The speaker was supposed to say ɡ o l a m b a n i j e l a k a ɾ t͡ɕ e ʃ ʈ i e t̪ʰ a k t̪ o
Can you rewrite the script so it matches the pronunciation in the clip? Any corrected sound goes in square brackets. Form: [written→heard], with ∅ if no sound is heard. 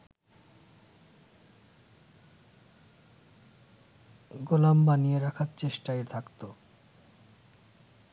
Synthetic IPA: ɡ o l a m b a n i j e [l→ɾ] a [k→kʰ] a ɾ t͡ɕ e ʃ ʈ [i→a] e t̪ʰ a k t̪ o

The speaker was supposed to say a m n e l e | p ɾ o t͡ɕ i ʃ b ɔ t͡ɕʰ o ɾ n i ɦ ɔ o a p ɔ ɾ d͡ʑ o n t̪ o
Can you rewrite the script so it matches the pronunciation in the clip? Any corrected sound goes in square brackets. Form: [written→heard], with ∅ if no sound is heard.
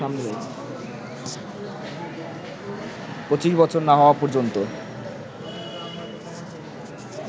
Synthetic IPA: a m n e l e | p ɾ o t͡ɕ i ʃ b ɔ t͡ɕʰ o ɾ n [i→a] ɦ ɔ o a p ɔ ɾ d͡ʑ o n t̪ o

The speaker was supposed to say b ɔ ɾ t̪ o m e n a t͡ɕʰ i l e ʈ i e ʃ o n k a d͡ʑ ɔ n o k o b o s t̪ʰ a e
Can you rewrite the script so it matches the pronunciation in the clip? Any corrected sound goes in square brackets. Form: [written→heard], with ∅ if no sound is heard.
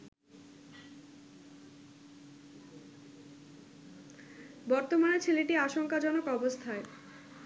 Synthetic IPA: b ɔ ɾ t̪ o m [e→a] n [a→e] t͡ɕʰ [i→e] l e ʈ i [e→a] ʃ o [n→ŋ] k a d͡ʑ ɔ n o k [o→ɔ] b o s t̪ʰ a e

